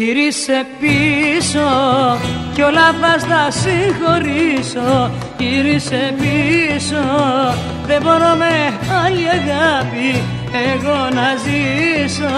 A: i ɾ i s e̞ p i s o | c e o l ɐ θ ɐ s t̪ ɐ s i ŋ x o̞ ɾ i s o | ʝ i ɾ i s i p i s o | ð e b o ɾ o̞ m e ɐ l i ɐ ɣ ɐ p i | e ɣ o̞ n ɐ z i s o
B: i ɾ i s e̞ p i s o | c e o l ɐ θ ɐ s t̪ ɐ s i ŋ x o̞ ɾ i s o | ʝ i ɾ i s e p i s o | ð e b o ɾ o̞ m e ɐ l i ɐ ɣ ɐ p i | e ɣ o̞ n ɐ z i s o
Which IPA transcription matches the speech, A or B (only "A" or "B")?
B